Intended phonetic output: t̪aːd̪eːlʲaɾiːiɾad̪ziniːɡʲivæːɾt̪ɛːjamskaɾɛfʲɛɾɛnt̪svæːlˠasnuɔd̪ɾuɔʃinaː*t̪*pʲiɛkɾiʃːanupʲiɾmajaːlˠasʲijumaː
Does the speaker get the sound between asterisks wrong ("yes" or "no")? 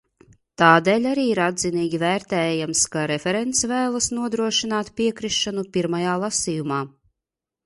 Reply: no